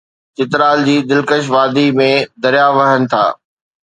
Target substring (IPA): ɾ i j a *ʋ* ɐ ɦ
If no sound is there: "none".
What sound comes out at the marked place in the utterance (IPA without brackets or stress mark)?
ʋ